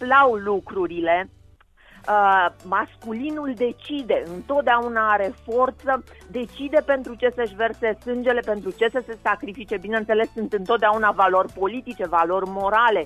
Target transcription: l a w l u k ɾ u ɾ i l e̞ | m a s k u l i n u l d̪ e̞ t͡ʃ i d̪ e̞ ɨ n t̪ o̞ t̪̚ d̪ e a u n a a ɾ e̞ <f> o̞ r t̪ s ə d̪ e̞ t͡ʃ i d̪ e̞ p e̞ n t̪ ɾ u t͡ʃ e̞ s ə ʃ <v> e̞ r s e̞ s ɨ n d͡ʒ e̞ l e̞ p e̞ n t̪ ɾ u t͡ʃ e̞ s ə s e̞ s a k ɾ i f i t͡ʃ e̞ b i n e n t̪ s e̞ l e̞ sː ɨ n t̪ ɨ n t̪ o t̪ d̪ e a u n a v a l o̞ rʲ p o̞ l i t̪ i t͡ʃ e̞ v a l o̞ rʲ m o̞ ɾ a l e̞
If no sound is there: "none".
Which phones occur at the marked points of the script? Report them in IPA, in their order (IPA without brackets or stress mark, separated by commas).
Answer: f, v